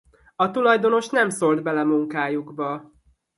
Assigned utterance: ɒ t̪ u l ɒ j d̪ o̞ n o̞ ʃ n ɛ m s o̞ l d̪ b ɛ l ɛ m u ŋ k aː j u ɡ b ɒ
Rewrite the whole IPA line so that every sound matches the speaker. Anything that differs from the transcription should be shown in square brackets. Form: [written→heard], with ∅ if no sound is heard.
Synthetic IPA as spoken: ɒ t̪ u l ɒ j d̪ o̞ n o̞ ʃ n ɛ m s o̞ l d̪ b ɛ l ɛ m u ŋ k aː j u ɡ b ɒ